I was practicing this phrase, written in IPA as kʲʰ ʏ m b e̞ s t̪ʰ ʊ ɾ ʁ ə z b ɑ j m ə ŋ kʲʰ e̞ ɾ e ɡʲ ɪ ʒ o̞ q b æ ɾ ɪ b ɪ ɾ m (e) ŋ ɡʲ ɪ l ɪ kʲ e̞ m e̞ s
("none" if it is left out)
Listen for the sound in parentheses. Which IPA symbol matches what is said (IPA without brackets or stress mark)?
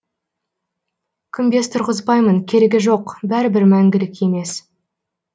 æ